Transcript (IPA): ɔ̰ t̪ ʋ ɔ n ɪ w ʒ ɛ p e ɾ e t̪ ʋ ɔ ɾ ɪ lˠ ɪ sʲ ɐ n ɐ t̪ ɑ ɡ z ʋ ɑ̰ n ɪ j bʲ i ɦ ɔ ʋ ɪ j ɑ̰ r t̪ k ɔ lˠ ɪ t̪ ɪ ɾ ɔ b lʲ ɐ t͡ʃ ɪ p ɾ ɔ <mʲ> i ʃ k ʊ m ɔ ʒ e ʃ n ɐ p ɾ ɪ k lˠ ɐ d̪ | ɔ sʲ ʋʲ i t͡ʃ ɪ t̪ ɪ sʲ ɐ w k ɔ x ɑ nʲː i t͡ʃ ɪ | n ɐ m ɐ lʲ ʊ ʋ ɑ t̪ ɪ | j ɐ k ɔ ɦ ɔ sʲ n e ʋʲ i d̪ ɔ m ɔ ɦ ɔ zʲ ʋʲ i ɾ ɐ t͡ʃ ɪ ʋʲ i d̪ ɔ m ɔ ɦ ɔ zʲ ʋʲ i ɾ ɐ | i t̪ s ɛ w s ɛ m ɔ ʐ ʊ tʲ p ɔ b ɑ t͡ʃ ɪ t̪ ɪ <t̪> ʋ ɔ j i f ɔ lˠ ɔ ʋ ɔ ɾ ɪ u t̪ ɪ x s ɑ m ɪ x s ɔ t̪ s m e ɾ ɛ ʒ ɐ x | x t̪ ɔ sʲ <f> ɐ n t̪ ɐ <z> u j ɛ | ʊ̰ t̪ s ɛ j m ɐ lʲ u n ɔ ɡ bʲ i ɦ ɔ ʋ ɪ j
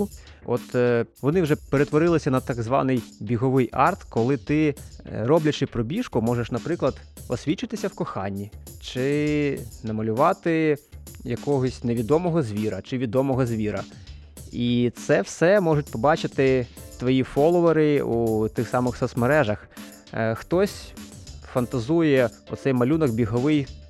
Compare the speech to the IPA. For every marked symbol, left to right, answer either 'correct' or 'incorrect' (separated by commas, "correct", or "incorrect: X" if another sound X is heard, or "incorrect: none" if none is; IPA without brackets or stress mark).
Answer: incorrect: bʲ, correct, correct, correct